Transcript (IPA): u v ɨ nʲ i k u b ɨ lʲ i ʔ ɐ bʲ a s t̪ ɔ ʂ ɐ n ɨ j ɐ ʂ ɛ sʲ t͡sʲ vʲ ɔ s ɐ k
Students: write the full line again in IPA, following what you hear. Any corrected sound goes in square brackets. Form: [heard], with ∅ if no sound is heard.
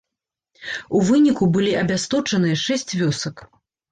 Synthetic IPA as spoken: u v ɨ nʲ i k u b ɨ lʲ i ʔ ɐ bʲ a s t̪ ɔ [t͡ʂ] ɐ n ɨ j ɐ ʂ ɛ sʲ t͡sʲ vʲ ɔ s ɐ k

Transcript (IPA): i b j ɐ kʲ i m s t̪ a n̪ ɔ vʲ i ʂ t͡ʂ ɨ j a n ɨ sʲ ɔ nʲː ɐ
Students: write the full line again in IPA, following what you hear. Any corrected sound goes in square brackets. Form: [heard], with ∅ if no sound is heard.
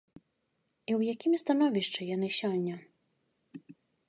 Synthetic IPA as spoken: i [w] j [a] kʲ i m s t̪ a n̪ ɔ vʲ i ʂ t͡ʂ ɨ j a n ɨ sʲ ɔ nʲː ɐ

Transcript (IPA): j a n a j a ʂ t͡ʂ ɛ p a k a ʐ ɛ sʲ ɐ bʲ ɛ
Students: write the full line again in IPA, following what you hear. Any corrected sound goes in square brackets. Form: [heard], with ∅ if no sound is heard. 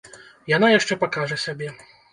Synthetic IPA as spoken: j a n a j a ʂ t͡ʂ ɛ p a k a ʐ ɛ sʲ [a] bʲ ɛ

